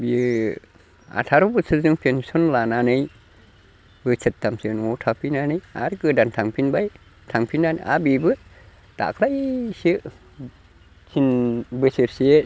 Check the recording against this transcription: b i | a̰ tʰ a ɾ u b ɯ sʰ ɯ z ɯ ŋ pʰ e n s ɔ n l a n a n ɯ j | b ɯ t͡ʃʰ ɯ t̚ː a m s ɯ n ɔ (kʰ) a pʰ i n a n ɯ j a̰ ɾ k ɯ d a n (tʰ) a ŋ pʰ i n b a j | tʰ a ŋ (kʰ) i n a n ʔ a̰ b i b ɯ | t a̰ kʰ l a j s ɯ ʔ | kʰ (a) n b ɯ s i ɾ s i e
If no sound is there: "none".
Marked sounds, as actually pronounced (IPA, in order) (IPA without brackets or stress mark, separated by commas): tʰ, tʰ, pʰ, i